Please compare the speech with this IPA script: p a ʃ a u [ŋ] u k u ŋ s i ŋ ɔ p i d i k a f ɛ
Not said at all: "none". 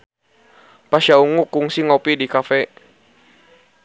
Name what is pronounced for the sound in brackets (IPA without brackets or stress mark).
ŋ